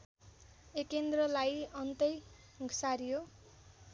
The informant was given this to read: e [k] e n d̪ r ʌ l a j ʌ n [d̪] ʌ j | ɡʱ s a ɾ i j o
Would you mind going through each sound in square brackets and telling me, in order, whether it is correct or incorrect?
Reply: correct, incorrect

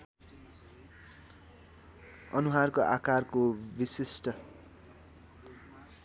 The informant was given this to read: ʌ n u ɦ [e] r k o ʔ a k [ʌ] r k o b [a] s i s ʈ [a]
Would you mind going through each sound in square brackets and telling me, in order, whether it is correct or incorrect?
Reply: incorrect, incorrect, incorrect, incorrect

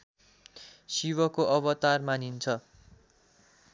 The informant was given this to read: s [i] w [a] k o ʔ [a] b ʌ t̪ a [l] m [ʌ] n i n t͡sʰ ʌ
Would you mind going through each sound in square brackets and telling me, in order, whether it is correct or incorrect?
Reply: correct, incorrect, incorrect, incorrect, incorrect

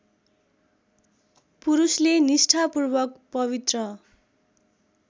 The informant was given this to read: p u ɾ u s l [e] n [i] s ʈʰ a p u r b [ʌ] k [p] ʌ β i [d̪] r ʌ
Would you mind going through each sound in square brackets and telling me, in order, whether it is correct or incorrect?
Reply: correct, correct, correct, correct, incorrect

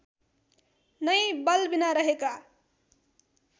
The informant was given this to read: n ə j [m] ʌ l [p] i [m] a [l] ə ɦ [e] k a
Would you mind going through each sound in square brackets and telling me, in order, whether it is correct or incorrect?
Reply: incorrect, incorrect, incorrect, incorrect, correct

